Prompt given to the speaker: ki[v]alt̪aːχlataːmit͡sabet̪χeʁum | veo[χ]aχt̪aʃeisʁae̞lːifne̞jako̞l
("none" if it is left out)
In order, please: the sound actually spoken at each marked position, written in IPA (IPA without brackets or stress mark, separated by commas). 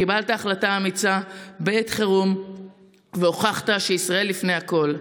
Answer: b, χ